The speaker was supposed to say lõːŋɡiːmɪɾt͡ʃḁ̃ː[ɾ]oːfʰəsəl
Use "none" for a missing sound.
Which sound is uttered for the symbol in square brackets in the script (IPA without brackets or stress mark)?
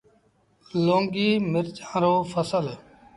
ɾ